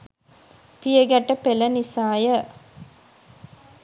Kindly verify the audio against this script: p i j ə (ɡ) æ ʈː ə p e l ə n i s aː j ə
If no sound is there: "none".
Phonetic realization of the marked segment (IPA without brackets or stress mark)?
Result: ɡ